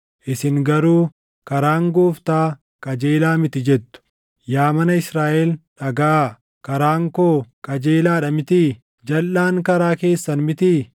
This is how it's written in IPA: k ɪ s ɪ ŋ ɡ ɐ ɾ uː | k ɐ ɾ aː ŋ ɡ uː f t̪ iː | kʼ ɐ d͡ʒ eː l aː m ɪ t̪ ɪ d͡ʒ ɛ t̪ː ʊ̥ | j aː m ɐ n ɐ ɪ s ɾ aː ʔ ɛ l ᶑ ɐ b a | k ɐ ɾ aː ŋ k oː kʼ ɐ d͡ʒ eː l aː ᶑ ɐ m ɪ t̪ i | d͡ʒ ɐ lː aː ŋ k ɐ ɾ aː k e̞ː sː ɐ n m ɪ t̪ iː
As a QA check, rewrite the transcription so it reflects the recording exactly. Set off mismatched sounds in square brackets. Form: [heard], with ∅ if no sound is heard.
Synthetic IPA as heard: [ʔ] ɪ s ɪ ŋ ɡ ɐ ɾ uː | k ɐ ɾ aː ŋ ɡ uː f t̪ [aː] | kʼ ɐ d͡ʒ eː l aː m ɪ t̪ ɪ d͡ʒ ɛ t̪ː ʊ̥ | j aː m ɐ n ɐ ɪ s ɾ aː ʔ ɛ l ᶑ ɐ [ɡ] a | k ɐ ɾ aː ŋ k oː kʼ ɐ d͡ʒ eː l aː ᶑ ɐ m ɪ t̪ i | d͡ʒ ɐ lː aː ŋ k ɐ ɾ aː k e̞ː sː ɐ n m ɪ t̪ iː